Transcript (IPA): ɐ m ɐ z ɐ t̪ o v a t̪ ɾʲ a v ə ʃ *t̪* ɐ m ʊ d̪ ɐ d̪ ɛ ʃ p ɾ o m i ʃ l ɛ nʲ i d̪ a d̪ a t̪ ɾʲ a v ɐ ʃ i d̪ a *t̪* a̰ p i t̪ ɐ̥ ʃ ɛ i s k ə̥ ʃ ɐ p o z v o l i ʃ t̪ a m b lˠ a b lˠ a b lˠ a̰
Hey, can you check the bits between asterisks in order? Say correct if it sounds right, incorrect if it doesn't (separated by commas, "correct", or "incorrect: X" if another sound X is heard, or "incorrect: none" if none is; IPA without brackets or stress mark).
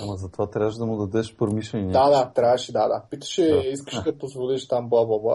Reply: incorrect: d̪, incorrect: d̪